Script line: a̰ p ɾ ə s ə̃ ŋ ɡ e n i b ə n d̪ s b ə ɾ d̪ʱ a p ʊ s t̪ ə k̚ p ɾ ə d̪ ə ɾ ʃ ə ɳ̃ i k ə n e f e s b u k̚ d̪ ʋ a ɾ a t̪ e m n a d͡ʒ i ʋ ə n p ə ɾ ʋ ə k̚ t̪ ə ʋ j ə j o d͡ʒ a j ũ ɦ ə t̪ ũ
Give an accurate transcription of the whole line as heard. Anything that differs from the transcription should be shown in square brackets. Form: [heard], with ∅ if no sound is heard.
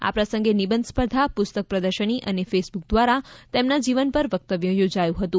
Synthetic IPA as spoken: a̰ p ɾ ə s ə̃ ŋ ɡ e n i b ə n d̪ s [p] ə ɾ d̪ʱ a p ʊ s t̪ ə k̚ p ɾ ə d̪ ə ɾ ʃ ə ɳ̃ i [ʔ] ə n e f e s b u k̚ d̪ ʋ a ɾ a t̪ e m n a d͡ʒ i ʋ ə n p ə ɾ ʋ ə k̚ t̪ ə ʋ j ə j o d͡ʒ a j ũ ɦ ə t̪ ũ